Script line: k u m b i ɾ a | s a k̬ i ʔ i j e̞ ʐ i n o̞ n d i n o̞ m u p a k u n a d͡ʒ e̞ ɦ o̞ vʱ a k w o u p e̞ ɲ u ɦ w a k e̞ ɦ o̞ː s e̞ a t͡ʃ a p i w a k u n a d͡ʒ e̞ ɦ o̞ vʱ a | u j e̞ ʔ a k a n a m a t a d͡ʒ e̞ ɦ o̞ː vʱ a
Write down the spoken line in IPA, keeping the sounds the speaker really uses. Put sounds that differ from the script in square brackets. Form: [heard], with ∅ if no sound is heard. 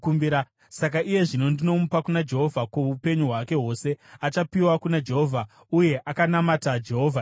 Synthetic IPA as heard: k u m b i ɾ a | s a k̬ [a] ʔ i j e̞ ʐ i n o̞ n d i n o̞ m u p a k u n a d͡ʒ e̞ ɦ o̞ vʱ a k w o u p e̞ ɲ u ɦ w a k e̞ ɦ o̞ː s e̞ a t͡ʃ a p i w a k u n a d͡ʒ e̞ ɦ o̞ vʱ a | u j e̞ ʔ a k a n a m a t a d͡ʒ e̞ ɦ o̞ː vʱ a

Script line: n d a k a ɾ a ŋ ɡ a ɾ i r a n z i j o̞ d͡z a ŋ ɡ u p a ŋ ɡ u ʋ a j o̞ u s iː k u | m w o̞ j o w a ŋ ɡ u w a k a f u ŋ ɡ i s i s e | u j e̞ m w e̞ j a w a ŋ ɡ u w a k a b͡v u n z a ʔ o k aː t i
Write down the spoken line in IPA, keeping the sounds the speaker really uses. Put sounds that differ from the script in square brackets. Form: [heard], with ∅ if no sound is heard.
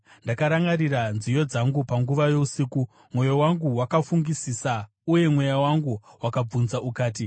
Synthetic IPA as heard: n d a k a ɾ a ŋ ɡ a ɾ i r a n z i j o̞ d͡z a ŋ ɡ u p a ŋ ɡ u ʋ a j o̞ u s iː k u | m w o̞ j o w a ŋ ɡ u w a k a f u ŋ ɡ i s i s [a] | u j e̞ m w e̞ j a w a ŋ ɡ u w a k a b͡v u n z a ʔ [u] k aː t i

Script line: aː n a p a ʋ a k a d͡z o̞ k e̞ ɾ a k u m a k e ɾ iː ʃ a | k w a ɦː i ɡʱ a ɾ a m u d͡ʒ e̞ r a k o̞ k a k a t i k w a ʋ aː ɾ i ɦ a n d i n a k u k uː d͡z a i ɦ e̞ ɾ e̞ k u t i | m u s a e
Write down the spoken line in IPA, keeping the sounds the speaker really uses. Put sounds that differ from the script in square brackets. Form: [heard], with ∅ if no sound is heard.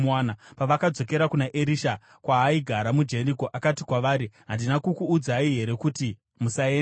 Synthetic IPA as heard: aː n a p a ʋ a k a d͡z o̞ k e̞ ɾ a k u [n] a [ʔ] e ɾ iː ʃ a | k w a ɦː i ɡʱ a ɾ a m u d͡ʒ e̞ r [i] k o̞ [ʔ] a k a t i k w a ʋ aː ɾ i ɦ a n d i n a k u k uː d͡z a i ɦ e̞ ɾ e̞ k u t i | m u s a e

